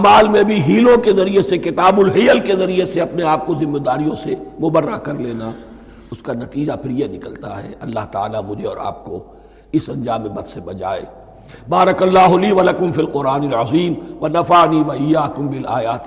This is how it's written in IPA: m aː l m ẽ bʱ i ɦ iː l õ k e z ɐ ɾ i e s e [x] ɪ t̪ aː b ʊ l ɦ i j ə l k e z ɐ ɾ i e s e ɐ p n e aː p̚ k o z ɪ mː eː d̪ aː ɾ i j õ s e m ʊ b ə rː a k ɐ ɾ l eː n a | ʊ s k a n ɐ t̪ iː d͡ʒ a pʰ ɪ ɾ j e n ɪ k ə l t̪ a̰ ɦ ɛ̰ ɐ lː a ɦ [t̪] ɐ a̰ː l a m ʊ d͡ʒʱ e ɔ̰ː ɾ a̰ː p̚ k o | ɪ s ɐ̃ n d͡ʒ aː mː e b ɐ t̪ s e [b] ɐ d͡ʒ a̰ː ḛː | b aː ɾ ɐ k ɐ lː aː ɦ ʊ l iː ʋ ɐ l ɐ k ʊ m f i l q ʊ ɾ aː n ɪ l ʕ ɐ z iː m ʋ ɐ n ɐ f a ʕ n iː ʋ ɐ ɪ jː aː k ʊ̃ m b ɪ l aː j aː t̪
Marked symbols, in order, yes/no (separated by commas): no, yes, yes